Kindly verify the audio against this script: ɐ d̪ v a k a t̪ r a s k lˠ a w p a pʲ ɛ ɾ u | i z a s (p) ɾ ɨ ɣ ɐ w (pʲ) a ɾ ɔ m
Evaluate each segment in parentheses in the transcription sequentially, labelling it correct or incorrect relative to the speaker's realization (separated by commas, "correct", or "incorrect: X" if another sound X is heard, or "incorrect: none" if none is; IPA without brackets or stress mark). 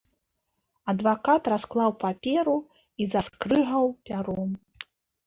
incorrect: k, correct